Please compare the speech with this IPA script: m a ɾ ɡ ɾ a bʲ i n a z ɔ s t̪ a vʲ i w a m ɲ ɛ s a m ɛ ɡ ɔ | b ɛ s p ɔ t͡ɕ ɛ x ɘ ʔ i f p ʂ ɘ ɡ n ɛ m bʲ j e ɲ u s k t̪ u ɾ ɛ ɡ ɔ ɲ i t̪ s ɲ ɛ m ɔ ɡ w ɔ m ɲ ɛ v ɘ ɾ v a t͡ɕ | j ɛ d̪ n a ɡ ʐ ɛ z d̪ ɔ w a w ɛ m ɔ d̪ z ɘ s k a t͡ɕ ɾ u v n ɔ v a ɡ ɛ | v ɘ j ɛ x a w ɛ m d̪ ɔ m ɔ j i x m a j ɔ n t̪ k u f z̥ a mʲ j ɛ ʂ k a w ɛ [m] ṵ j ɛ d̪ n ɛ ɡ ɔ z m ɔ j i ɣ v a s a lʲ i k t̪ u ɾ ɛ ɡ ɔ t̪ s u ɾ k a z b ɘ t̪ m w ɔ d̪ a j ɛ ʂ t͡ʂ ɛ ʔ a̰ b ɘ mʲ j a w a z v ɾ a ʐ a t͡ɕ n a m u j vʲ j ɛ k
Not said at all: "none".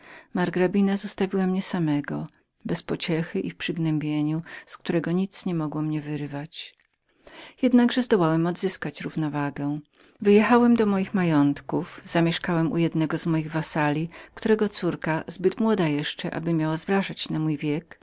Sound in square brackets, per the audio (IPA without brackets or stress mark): m